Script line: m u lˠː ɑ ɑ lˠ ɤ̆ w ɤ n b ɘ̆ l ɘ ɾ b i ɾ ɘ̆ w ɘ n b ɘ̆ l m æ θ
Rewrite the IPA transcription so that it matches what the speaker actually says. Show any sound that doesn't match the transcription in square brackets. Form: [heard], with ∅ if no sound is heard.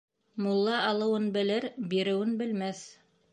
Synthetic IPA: m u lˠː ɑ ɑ lˠ ɤ̆ w ɤ n b ɘ̆ l ɘ ɾ b i ɾ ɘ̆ w ɘ n b ɘ̆ l m æ θ